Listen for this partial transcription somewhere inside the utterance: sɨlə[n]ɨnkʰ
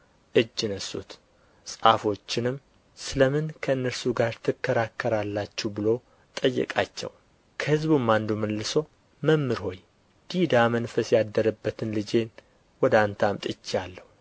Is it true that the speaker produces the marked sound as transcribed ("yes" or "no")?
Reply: no